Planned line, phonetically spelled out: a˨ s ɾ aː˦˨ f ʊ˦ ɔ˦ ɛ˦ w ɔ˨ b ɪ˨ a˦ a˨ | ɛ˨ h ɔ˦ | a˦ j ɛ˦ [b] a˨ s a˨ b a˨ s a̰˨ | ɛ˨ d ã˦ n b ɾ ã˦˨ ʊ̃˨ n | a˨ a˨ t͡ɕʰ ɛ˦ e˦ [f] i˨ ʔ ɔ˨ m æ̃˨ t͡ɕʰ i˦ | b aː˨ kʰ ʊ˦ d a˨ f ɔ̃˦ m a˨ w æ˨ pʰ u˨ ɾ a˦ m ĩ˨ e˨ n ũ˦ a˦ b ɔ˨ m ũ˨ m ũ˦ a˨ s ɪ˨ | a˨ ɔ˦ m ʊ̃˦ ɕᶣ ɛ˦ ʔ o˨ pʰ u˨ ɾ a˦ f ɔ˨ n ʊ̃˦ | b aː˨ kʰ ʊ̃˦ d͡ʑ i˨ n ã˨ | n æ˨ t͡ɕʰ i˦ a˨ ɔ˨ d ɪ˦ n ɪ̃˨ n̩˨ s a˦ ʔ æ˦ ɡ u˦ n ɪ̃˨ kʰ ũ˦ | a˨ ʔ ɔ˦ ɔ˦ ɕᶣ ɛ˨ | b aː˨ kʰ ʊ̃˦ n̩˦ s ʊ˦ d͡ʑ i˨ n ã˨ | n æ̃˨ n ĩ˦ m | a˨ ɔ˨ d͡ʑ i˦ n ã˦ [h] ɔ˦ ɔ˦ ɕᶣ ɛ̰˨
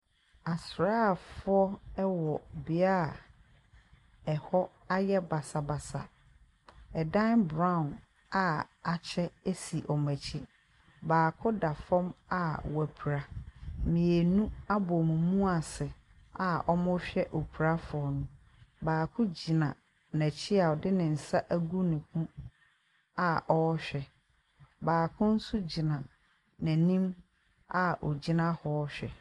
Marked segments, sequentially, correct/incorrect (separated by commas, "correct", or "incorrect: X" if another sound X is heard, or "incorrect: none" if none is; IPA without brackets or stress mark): correct, incorrect: s, correct